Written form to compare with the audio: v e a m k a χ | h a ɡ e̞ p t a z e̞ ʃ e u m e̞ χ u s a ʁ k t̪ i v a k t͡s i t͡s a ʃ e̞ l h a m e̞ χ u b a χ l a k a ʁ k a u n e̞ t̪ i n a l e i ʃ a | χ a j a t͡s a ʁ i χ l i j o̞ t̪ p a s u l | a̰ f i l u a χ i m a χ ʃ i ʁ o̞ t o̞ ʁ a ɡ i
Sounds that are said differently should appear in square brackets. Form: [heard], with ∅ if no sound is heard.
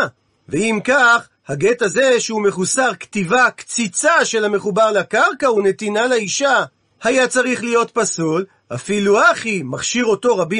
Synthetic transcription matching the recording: v e [i] m k a χ | h a ɡ e̞ [∅] t a z e̞ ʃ e u m e̞ χ u s a ʁ k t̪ i v a k t͡s i t͡s a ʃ e̞ l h a m e̞ χ u b a [ʁ] l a k a ʁ k a u n e̞ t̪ i n a l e i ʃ a | [h] a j a t͡s a ʁ i χ l i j o̞ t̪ p a s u l | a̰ f i l u a χ i m a χ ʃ i ʁ o̞ t o̞ ʁ a [b] i